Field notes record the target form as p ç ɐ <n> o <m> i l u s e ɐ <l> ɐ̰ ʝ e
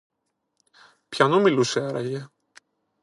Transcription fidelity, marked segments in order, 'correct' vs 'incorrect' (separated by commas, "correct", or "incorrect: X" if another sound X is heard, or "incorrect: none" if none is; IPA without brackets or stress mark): correct, correct, incorrect: ɾ